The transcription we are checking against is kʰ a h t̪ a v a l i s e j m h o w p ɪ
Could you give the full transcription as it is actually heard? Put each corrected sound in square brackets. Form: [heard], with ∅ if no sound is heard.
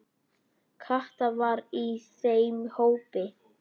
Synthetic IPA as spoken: kʰ a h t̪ a v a [ɾ] i s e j m h o w p ɪ

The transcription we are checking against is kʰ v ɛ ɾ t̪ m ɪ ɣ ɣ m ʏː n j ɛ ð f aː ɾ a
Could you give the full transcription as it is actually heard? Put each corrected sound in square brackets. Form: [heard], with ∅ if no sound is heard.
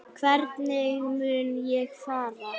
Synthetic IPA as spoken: kʰ v ɛ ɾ t̪ [n] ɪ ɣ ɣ m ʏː n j ɛ [ɣ] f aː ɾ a

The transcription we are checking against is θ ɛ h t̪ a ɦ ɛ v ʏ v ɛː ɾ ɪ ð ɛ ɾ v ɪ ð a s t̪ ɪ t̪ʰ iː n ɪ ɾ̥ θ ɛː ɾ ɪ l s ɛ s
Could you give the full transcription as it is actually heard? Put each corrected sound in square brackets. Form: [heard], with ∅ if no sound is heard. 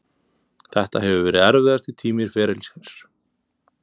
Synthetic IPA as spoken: θ ɛ h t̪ a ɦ ɛ v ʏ v ɛː ɾ ɪ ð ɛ ɾ v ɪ ð a s t̪ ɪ t̪ʰ iː [m] ɪ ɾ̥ [f] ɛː ɾ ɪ l s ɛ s

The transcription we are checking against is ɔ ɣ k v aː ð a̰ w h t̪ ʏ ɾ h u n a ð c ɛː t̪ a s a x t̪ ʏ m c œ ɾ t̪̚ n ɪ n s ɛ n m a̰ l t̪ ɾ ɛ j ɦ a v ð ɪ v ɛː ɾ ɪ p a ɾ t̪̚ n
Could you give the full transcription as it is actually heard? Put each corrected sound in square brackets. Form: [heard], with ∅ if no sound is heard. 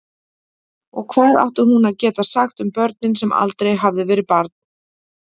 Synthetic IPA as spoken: ɔ ɣ [kʰ] v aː ð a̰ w h t̪ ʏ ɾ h u n a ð c ɛː t̪ a s a x t̪ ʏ m [p] œ ɾ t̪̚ n ɪ n s ɛ [∅] m a̰ l t̪ ɾ [e] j ɦ a v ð ɪ v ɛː ɾ ɪ p a ɾ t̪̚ n

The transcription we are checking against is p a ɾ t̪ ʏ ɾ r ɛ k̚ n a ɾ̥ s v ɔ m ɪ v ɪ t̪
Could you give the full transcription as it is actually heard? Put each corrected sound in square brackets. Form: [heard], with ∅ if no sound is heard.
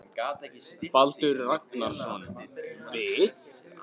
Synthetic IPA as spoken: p a [l] t̪ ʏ ɾ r [a] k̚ n a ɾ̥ s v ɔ [n] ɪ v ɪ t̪

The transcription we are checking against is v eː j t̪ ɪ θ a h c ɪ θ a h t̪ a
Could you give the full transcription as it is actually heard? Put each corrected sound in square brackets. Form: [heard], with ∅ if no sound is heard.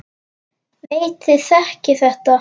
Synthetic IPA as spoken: v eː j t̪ ɪ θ [ɛ] h c ɪ θ [ɛ] h t̪ a

